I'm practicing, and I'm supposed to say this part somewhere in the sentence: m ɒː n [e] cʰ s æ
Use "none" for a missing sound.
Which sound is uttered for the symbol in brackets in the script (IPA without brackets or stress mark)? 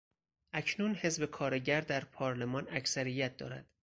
æ